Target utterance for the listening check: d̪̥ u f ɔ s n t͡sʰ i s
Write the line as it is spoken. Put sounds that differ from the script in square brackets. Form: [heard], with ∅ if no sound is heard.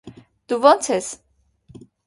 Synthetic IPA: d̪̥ u [v] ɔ [∅] n t͡sʰ [ɛ] s